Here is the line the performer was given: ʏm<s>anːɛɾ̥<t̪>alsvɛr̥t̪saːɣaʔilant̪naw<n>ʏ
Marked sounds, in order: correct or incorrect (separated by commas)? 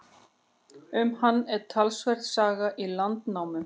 incorrect, incorrect, incorrect